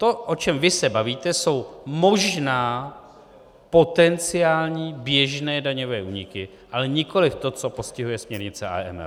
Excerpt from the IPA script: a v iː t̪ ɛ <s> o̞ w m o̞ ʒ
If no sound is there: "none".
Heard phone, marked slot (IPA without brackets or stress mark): s